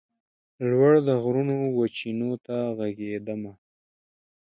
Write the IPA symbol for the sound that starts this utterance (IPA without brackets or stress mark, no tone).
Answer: l